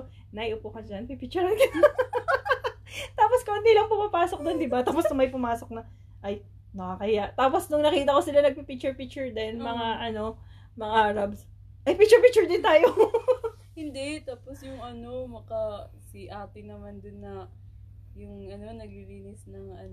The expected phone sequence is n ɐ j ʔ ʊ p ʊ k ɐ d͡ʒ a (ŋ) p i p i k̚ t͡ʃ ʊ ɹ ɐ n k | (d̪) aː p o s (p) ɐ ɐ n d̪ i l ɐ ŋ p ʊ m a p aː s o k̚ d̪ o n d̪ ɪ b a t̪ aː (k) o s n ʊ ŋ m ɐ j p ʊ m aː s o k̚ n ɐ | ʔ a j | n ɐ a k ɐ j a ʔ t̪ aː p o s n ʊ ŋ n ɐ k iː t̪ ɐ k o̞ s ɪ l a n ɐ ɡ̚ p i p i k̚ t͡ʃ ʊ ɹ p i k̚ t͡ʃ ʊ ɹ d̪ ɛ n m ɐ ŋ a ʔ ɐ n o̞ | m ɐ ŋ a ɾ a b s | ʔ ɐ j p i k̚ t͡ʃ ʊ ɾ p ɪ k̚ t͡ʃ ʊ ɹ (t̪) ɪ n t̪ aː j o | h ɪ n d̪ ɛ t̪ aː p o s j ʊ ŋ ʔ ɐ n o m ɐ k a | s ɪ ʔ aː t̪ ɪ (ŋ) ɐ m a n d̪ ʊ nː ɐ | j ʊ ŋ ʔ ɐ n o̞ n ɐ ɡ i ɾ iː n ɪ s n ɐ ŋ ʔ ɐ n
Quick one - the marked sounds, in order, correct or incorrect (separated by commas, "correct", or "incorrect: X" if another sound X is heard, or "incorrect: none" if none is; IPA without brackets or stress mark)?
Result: incorrect: n, incorrect: t̪, incorrect: k, incorrect: p, incorrect: d̪, incorrect: n